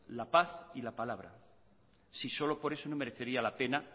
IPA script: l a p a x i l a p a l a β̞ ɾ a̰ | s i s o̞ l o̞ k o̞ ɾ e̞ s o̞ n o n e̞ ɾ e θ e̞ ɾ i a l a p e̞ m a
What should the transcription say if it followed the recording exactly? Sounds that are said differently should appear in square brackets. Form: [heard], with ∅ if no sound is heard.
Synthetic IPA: l a p a [θ] i l a p a l a β̞ ɾ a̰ | s i s o̞ l o̞ [p] o̞ ɾ e̞ s o̞ n o [m] e̞ ɾ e θ e̞ ɾ i a l a p e̞ [n] a